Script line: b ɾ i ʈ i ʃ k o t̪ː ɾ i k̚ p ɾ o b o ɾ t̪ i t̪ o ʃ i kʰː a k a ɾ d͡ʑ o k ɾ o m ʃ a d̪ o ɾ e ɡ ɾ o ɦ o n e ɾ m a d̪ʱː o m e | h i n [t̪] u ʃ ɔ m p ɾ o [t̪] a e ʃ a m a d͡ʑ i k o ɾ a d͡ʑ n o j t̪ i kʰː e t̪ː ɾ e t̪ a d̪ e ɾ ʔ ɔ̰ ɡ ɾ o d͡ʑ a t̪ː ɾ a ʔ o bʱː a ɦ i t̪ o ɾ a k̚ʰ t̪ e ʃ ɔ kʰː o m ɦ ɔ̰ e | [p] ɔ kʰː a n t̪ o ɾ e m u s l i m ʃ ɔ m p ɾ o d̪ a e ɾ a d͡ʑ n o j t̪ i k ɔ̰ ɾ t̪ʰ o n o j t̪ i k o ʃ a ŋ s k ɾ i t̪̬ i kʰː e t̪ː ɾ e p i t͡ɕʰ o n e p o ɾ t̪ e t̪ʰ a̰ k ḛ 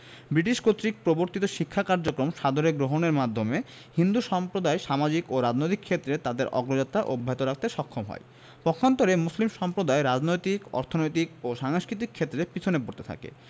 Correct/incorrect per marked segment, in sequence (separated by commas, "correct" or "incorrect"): incorrect, incorrect, correct